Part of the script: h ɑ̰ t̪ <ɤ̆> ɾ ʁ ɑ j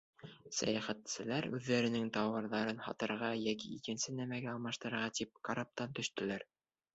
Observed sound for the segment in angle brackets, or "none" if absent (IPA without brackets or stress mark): ɤ̆